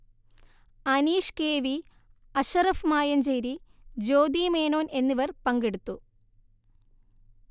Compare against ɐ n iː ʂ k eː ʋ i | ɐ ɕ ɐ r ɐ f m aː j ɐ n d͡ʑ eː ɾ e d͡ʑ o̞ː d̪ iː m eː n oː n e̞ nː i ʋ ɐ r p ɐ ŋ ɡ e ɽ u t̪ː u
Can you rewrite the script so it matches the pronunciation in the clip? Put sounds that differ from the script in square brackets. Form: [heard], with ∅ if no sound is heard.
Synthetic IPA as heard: ɐ n iː ʂ k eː ʋ i | ɐ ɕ ɐ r ɐ f m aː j ɐ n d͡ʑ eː ɾ [i] d͡ʑ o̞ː d̪ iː m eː n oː n e̞ nː i ʋ ɐ r p ɐ ŋ ɡ e ɽ u t̪ː u